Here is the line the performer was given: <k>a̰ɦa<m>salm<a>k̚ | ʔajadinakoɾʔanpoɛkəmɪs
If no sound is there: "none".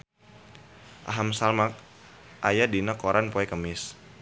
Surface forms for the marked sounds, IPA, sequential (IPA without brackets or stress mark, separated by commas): ʔ, m, a